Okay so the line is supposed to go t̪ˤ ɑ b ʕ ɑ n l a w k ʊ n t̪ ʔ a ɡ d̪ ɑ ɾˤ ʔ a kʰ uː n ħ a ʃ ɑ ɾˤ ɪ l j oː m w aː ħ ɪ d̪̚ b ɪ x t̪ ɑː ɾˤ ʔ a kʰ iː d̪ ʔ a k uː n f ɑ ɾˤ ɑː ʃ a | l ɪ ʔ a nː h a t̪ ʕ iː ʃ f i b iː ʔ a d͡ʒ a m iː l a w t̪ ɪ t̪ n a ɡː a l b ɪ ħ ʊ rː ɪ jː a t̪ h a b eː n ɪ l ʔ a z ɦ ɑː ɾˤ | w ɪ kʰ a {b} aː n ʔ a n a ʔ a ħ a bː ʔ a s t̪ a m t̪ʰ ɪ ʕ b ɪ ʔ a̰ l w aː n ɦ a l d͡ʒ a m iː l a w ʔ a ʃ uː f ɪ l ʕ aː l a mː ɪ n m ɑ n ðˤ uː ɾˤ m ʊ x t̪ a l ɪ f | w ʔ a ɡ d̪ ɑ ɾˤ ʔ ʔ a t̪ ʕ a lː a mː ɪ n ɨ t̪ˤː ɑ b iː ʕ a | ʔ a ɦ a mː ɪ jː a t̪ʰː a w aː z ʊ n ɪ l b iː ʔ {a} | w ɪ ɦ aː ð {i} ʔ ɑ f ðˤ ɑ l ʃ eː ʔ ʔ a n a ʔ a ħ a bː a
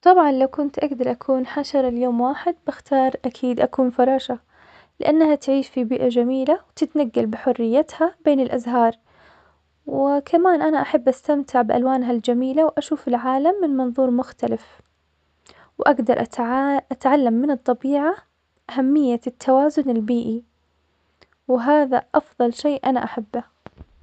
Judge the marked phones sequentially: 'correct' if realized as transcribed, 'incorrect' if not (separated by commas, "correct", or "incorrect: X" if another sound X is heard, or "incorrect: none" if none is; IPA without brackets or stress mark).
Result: incorrect: m, incorrect: i, incorrect: a